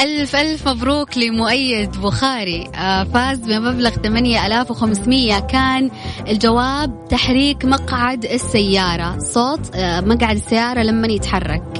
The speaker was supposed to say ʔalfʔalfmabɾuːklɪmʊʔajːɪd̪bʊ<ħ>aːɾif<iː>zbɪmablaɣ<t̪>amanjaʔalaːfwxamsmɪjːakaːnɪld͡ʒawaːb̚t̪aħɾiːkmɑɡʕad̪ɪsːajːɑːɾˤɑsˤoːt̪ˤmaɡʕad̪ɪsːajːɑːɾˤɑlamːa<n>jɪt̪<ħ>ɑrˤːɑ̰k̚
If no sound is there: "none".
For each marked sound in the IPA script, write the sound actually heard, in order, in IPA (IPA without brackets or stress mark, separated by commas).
x, aː, t̪, n, ħ